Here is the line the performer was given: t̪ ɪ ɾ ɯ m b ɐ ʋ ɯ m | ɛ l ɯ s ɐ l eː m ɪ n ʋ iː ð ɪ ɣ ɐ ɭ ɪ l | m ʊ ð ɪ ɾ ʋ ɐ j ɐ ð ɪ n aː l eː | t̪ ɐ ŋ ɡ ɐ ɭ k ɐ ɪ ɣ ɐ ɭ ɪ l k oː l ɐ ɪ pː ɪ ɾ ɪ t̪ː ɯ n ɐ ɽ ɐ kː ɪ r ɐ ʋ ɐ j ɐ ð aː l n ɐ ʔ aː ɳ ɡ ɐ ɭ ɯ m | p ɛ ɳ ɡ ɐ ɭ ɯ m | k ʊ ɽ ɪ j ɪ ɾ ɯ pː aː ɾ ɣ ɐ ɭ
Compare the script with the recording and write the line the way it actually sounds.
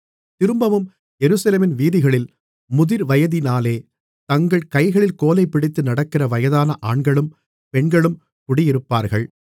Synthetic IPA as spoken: t̪ ɪ ɾ ɯ m b ɐ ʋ ɯ m | ɛ ɾ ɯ s ɐ l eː m ɪ n ʋ iː ð ɪ ɣ ɐ ɭ ɪ l | m ʊ ð ɪ ɾ ʋ ɐ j ɐ ð ɪ n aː l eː | t̪ ɐ ŋ ɡ ɐ ɭ k ɐ ɪ ɣ ɐ ɭ ɪ l k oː l ɐ ɪ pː ɪ ɽ ɪ t̪ː ɯ n ɐ ɽ ɐ kː ɪ r ɐ ʋ ɐ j ɐ ð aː n ɐ ʔ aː ɳ ɡ ɐ ɭ ɯ m | p ɛ ɳ ɡ ɐ ɭ ɯ m | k ʊ ɽ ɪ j ɪ ɾ ɯ pː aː ɾ ɣ ɐ ɭ

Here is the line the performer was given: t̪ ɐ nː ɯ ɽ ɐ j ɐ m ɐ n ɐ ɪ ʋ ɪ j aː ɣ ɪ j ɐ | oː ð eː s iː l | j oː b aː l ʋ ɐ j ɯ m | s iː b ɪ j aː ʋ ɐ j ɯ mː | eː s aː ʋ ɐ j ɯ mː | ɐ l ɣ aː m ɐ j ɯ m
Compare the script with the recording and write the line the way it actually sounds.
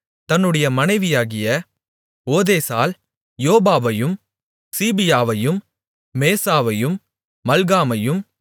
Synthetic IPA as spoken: t̪ ɐ nː ɯ ɽ ɐ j ɐ m ɐ n ɐ ɪ ʋ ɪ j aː ɣ ɪ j ɐ | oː ð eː s aː l | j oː b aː ʋ ɐ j ɯ m | s iː b ɪ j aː ʋ ɐ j ɯ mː | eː s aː ʋ ɐ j ɯ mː | ɐ l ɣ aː m ɐ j ɯ m

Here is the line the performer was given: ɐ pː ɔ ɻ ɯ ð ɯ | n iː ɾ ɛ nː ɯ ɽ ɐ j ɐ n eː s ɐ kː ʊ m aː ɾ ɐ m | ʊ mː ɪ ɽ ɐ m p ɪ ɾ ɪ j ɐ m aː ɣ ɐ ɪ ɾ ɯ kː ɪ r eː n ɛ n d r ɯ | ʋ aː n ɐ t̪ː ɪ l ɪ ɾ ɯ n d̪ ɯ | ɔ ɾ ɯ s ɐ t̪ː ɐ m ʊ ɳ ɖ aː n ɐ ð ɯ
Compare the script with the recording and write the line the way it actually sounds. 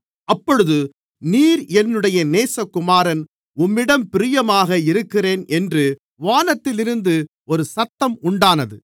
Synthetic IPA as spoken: ɐ pː ɔ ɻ ɯ ð ɯ | n iː ɾ ɛ nː ɯ ɽ ɐ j ɐ n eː s ɐ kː ʊ m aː ɾ ɐ n | ʊ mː ɪ ɽ ɐ m p ɪ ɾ ɪ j ɐ m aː ɣ ɐ ɪ ɾ ɯ kː ɪ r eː n ɛ n d r ɯ | ʋ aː n ɐ t̪ː ɪ l ɪ ɾ ɯ n d̪ ɯ | ɔ ɾ ɯ s ɐ t̪ː ɐ m ʊ ɳ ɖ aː n ɐ ð ɯ

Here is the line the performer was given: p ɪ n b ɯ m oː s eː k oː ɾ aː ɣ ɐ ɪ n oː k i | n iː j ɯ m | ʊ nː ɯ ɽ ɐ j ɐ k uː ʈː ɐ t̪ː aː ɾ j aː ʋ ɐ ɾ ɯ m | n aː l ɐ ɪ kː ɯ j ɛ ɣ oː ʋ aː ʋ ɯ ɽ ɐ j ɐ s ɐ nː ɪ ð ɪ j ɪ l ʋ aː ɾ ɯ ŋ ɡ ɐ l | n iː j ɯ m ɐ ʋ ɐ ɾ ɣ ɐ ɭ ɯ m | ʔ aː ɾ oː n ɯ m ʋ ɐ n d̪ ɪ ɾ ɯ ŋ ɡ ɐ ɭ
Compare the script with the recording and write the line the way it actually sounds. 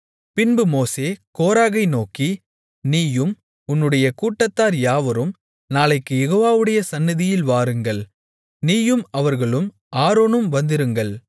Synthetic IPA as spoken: p ɪ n b ɯ m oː s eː k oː ɾ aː ɣ ɐ ɪ n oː k i | n iː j ɯ m | ʊ nː ɯ ɽ ɐ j ɐ k uː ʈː ɐ t̪ː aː ɾ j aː ʋ ɐ ɾ ɯ m | n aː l ɐ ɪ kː ɯ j ɛ ɣ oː ʋ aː ʋ ɯ ɽ ɐ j ɐ s ɐ nː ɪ ð ɪ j ɪ l ʋ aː ɾ ɯ ŋ ɡ ɐ ɭ | n iː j ɯ m ɐ ʋ ɐ ɾ ɣ ɐ ɭ ɯ m | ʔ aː ɾ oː n ɯ m ʋ ɐ n d̪ ɪ ɾ ɯ ŋ ɡ ɐ ɭ

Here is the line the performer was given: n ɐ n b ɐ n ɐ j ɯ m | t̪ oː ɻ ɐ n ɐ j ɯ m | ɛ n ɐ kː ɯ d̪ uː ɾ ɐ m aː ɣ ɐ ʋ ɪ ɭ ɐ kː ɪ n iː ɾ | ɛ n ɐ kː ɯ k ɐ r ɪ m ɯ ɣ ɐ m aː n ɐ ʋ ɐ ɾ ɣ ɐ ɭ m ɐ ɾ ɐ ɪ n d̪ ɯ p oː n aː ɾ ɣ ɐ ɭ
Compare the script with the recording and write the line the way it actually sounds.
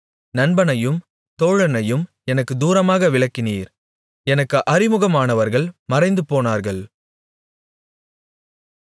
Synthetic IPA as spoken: n ɐ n b ɐ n ɐ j ɯ m | t̪ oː ɻ ɐ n ɐ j ɯ m | ɛ n ɐ kː ɯ d̪ uː ɾ ɐ m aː ɣ ɐ ʋ ɪ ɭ ɐ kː ɪ n iː ɾ | ɛ n ɐ kː ɯ ʔ ɐ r ɪ m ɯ ɣ ɐ m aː n ɐ ʋ ɐ ɾ ɣ ɐ ɭ m ɐ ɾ ɐ ɪ n d̪ ɯ p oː n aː ɾ ɣ ɐ ɭ

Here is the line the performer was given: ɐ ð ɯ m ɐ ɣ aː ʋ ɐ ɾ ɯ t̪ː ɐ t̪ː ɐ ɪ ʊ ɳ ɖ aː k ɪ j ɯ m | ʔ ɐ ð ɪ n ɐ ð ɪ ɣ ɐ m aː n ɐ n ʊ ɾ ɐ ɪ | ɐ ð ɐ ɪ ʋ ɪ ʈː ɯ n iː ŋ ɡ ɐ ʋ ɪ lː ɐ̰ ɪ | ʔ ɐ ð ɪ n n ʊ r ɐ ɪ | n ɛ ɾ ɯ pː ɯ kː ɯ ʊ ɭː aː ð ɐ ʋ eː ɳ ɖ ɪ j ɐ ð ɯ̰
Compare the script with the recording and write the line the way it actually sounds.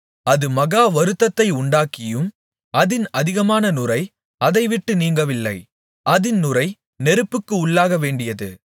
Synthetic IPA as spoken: ɐ ð ɯ m ɐ ɣ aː ʋ ɐ ɾ ɯ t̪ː ɐ t̪ː ɐ ɪ ʊ ɳ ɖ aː k ɪ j ɯ m | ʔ ɐ ð ɪ n ɐ ð ɪ ɣ ɐ m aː n ɐ n ʊ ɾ ɐ ɪ | ɐ ð ɐ ɪ ʋ ɪ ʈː ɯ n iː ŋ ɡ ɐ ʋ ɪ lː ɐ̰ ɪ | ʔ ɐ ð ɪ n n ʊ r ɐ ɪ | n ɛ ɾ ɯ pː ɯ kː ɯ ʊ ɭː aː ɣ ɐ ʋ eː ɳ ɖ ɪ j ɐ ð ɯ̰

